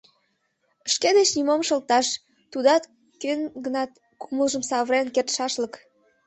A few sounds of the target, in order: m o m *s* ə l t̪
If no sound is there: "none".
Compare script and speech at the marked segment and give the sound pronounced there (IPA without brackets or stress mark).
ʃ